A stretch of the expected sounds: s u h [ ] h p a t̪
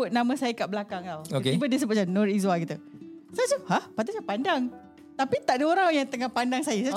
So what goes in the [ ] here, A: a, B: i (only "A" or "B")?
A